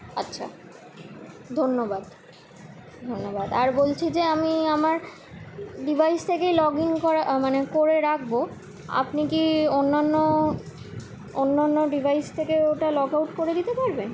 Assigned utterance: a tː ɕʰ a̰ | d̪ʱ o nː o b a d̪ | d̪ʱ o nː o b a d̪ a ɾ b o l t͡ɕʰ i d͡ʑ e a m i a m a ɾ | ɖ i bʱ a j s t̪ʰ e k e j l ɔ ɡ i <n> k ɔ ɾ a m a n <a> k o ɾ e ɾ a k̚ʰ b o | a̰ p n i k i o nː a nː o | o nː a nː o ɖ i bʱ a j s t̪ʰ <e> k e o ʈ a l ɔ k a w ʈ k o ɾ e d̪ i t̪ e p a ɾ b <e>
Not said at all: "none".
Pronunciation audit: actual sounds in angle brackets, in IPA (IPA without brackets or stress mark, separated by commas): ŋ, e, e, e